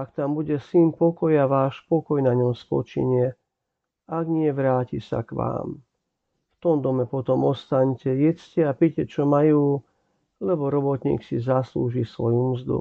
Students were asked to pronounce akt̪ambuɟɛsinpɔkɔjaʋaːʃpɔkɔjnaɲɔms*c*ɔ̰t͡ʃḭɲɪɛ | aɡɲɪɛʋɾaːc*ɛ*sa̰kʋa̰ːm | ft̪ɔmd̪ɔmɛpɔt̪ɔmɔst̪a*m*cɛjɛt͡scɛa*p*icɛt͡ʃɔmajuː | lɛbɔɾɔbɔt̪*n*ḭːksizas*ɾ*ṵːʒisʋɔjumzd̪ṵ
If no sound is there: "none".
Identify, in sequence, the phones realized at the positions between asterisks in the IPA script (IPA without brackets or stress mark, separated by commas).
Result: p, i, ɲ, p, ɲ, l